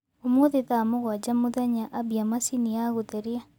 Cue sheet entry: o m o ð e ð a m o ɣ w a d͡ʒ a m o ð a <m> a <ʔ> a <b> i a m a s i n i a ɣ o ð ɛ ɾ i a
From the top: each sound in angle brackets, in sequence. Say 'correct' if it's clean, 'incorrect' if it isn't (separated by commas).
incorrect, correct, correct